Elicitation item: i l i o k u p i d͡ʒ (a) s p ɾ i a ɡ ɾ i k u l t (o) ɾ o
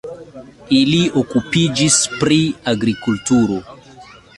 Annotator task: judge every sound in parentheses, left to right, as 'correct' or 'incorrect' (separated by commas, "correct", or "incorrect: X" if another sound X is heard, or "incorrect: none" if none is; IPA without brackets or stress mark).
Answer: incorrect: i, incorrect: u